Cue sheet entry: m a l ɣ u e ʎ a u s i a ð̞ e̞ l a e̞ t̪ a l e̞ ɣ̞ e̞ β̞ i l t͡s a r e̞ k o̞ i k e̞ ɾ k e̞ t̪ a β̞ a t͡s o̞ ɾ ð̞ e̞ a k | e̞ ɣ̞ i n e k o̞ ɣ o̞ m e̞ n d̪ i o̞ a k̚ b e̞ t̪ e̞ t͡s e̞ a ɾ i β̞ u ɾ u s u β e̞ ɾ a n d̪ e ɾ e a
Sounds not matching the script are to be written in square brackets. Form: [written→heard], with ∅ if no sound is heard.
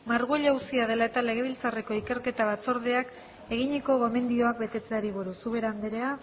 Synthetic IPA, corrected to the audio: m a [l→ɾ] ɣ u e ʎ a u s i a ð̞ e̞ l a e̞ t̪ a l e̞ ɣ̞ e̞ β̞ i l t͡s a r e̞ k o̞ i k e̞ ɾ k e̞ t̪ a β̞ a t͡s o̞ ɾ ð̞ e̞ a k | e̞ ɣ̞ i [n→ɲ] e k o̞ ɣ o̞ m e̞ n d̪ i o̞ a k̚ b e̞ t̪ e̞ t͡s e̞ a ɾ i β̞ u ɾ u s u β e̞ ɾ a n d̪ e ɾ e a